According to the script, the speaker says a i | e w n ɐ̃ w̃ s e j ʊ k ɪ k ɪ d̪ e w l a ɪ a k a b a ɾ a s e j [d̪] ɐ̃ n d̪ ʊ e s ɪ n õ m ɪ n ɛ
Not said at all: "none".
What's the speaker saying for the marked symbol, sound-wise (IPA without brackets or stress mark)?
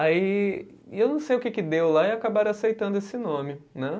t̪